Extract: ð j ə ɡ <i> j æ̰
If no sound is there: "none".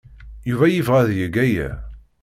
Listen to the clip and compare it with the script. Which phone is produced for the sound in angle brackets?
æ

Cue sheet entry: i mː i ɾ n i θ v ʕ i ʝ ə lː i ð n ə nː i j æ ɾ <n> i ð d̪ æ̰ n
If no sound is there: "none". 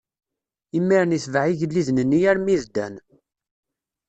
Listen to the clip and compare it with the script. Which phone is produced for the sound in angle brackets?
m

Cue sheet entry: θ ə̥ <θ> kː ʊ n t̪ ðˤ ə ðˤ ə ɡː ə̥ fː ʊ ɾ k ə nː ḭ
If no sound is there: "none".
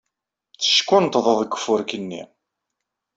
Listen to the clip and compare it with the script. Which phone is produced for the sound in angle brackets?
ʃ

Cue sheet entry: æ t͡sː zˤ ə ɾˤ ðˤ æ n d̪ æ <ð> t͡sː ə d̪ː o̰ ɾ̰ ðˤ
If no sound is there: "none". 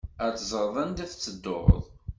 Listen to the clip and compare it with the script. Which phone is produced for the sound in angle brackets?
θ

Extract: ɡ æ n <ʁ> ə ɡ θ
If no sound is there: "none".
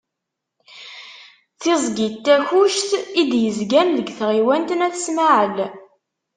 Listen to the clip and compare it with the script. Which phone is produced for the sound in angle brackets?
ð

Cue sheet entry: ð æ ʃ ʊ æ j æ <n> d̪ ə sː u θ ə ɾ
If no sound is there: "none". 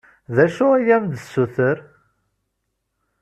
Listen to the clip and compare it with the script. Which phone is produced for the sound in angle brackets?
m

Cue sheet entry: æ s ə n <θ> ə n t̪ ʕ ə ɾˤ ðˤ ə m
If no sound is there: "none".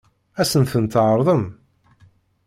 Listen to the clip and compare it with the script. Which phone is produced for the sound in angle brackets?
θ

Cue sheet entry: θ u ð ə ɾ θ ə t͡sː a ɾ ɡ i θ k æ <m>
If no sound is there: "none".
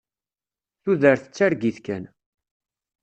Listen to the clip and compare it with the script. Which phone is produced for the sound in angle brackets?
n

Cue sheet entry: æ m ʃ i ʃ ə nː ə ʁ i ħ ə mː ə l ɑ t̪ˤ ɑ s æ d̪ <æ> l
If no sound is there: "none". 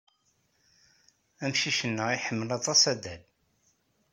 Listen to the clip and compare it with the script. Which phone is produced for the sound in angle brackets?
æ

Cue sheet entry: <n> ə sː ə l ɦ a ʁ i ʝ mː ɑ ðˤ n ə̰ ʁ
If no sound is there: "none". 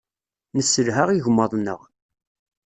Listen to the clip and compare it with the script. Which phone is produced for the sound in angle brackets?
n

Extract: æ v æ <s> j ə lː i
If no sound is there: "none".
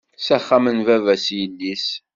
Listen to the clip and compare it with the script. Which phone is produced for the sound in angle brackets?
s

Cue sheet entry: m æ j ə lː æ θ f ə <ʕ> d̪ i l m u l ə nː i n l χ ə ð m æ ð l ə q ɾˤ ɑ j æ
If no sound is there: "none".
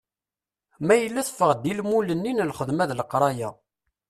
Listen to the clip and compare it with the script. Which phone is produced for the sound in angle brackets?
ʁ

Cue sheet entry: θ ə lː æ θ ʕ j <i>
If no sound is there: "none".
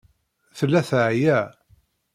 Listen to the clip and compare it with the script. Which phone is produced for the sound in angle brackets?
æ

